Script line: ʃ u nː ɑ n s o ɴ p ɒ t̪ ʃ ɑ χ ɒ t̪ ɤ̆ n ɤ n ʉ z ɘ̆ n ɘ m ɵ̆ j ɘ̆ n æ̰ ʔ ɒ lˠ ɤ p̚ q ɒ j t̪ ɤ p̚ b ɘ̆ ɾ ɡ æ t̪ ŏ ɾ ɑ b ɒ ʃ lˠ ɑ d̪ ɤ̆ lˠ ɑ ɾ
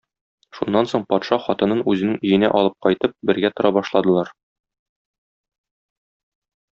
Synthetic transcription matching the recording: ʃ u nː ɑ n s o ɴ p ɒ t̪ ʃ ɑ χ ɒ t̪ ɤ̆ n ɤ n ʉ z ɘ̆ n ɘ ŋ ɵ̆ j ɘ̆ n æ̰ ʔ ɒ lˠ ɤ p̚ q ɒ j t̪ ɤ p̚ b ɘ̆ ɾ ɡ æ t̪ ŏ ɾ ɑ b ɒ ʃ lˠ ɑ d̪ ɤ̆ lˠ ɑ ɾ

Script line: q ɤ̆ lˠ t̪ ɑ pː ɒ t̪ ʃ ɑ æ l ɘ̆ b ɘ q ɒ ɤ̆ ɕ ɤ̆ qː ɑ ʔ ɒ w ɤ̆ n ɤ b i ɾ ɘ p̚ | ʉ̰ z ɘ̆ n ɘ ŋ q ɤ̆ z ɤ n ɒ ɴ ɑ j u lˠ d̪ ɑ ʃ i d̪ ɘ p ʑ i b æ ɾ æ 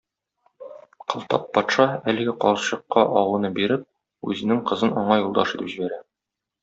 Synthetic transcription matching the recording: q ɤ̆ lˠ t̪ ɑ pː ɒ t̪ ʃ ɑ æ l ɘ̆ ɡ ɘ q ɒ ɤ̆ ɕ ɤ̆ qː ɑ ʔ ɒ w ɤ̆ n ɤ b i ɾ ɘ p̚ | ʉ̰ z ɘ̆ n ɘ ŋ q ɤ̆ z ɤ n ɒ ɴ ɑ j u lˠ d̪ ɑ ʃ i t̪ ɘ p ʑ i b æ ɾ æ

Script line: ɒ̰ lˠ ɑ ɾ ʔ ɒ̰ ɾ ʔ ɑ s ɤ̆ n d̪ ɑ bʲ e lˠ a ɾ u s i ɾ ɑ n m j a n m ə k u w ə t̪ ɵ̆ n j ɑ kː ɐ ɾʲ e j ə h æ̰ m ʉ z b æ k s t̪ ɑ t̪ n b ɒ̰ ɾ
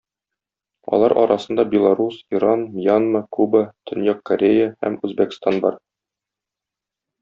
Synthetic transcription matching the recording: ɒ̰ lˠ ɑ ɾ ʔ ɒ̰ ɾ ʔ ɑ s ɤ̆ n d̪ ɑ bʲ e lˠ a ɾ u s i ɾ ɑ n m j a n m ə k u b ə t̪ ɵ̆ n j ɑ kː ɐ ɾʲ e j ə h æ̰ m ʉ z b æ k s t̪ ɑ n b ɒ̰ ɾ

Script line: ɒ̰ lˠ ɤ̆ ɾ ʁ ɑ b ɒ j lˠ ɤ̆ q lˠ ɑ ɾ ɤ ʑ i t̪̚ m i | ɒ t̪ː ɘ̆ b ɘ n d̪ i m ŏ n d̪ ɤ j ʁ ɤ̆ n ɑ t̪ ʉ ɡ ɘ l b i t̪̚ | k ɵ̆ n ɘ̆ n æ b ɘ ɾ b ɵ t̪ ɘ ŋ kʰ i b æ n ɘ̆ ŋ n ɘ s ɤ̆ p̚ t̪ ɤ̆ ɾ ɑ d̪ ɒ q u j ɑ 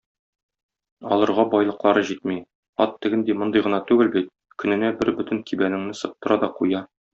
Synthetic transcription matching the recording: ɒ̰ lˠ ɤ̆ ɾ ʁ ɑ b ɒ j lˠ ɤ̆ q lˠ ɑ ɾ ɤ ʑ i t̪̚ m i | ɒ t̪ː ɘ̆ ɡ ɘ n d̪ i m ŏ n d̪ ɤ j ʁ ɤ̆ n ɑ t̪ ʉ ɡ ɘ l b i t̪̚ | k ɵ̆ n ɘ̆ n æ b ɘ ɾ b ɵ t̪ ɘ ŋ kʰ i b æ n ɘ̆ ŋ n ɘ s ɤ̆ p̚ t̪ ɤ̆ ɾ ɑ d̪ ɒ q u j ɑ

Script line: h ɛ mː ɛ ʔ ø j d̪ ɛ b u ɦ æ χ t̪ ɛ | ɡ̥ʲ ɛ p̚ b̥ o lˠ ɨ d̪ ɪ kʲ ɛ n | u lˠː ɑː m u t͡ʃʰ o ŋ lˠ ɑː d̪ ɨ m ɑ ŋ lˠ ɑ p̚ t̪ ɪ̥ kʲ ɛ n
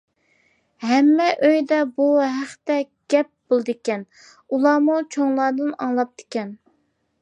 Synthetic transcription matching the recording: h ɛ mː ɛ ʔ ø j d̪ ɛ b u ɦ æ χ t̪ ɛ | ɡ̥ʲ ɛ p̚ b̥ o lˠ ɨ d̪ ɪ kʲ ɛ n | u lˠ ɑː m u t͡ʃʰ o ŋ lˠ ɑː d̪ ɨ n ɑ ŋ lˠ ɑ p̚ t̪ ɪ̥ kʲ ɛ n

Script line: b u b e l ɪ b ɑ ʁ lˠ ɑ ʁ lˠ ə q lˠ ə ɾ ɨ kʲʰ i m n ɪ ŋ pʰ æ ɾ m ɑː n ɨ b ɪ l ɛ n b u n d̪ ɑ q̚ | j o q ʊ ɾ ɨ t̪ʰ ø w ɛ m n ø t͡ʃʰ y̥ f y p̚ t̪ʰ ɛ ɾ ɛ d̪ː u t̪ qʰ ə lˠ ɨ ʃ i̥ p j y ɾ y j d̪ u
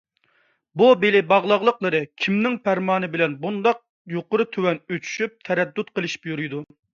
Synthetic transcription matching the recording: b u b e l ɪ b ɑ ʁ lˠ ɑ ʁ lˠ ə q lˠ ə ɾ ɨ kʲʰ i m n ɪ ŋ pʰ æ ɾ m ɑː n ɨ b ɪ l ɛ n b u n d̪ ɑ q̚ | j o q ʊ ɾ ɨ t̪ʰ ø w ɛ n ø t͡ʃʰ y̥ ʃ y p̚ t̪ʰ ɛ ɾ ɛ d̪ː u t̪ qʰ ə lˠ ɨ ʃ i̥ p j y ɾ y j d̪ u

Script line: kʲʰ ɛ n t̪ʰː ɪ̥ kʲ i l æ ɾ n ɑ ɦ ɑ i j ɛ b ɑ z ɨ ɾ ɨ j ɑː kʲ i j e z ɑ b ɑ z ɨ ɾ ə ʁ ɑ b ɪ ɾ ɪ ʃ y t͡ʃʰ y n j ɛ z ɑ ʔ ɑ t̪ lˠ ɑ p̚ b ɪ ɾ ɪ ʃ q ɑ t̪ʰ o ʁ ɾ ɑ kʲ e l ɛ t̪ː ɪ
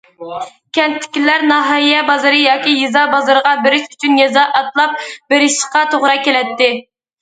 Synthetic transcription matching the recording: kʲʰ ɛ n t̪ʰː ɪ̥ kʲ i l æ ɾ n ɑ ɦ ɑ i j ɛ b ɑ z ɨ ɾ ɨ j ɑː kʲ i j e z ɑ b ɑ z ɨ ɾ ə ʁ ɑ b ɪ ɾ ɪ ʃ y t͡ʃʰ y n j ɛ z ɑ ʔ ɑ t̪ lˠ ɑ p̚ b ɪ ɾ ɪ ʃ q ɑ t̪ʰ o ʁ ɾ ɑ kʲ e l ɛ t̪ː ɪ

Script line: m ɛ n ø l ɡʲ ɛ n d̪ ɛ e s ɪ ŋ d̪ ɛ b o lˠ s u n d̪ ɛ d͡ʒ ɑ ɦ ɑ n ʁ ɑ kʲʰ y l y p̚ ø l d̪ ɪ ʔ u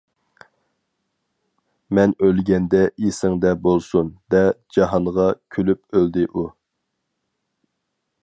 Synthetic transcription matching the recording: m ɛ n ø l ɡʲ ɛ n d̪ ɛ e s ɪ ŋ d̪ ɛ b o lˠ s u n d̪ ɛ d͡ʒ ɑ ɦ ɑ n ʁ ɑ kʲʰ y l y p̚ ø l d̪ ɪ ʔ u

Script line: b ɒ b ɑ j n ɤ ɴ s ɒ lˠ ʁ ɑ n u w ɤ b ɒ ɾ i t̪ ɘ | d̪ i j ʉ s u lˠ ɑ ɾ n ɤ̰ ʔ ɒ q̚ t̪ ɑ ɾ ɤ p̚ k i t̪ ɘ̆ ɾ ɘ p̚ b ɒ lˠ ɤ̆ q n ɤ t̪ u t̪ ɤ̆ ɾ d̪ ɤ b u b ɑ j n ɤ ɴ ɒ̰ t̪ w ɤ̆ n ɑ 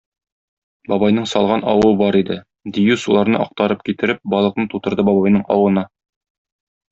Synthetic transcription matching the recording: b ɒ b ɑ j n ɤ ɴ s ɒ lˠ ʁ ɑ n ɒ w ɤ b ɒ ɾ i d̪ ɘ | d̪ i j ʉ s u lˠ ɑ ɾ n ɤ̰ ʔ ɒ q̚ t̪ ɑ ɾ ɤ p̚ k i t̪ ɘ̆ ɾ ɘ p̚ b ɒ lˠ ɤ̆ q n ɤ t̪ u t̪ ɤ̆ ɾ d̪ ɤ b ɒ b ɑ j n ɤ ɴ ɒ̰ w ɤ̆ n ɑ

